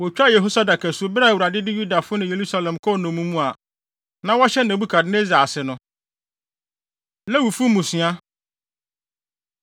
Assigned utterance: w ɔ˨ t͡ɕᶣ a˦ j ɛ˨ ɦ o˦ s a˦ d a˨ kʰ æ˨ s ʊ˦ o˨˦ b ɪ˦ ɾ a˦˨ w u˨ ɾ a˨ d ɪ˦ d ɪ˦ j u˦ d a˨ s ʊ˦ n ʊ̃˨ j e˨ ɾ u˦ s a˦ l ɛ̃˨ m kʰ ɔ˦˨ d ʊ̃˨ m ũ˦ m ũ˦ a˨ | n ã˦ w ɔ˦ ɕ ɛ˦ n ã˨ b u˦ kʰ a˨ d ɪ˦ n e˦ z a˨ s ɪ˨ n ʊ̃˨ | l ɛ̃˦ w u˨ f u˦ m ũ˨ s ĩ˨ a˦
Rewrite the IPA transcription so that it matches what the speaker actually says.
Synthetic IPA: w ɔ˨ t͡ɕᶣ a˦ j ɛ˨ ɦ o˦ s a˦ d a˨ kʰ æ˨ s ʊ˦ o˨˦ b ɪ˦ ɾ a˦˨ w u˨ ɾ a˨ d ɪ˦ d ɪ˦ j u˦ d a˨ f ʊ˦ n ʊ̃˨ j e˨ ɾ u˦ s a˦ l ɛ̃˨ m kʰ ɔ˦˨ n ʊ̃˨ m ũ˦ m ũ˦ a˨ | n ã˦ w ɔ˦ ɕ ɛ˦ n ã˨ b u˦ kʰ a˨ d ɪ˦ n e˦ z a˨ s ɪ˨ n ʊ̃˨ | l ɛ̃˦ w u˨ f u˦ m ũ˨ s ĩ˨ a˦